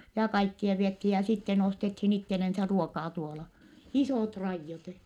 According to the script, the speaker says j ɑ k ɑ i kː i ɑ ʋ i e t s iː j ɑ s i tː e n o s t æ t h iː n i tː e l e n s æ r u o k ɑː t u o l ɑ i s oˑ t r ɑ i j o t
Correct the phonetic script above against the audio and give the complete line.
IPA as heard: j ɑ k ɑ i kː i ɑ ʋ i e t h iː j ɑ s i tː e n o s t e t h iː n i tː e l e n s æ r u o k ɑː t u o l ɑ i s oˑ t r ɑ i jː o t